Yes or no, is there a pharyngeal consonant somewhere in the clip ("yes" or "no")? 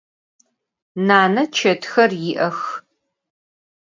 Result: no